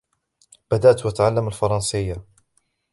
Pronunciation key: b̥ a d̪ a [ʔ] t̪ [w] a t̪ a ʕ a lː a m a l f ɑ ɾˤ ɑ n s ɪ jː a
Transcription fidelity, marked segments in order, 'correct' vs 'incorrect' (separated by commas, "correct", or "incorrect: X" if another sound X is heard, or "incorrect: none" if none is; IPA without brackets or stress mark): correct, correct